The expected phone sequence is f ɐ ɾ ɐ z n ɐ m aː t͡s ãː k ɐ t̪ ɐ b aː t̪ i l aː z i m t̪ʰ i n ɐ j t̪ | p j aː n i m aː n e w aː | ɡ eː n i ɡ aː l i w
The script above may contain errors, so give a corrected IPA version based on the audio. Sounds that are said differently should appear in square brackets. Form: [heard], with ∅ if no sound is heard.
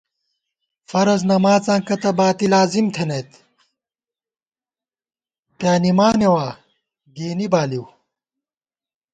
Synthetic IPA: f ɐ ɾ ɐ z n ɐ m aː t͡s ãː k ɐ t̪ ɐ b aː t̪ i l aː z i m t̪ʰ [e] n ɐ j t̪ | p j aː n i m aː n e w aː | ɡ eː n i [b] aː l i w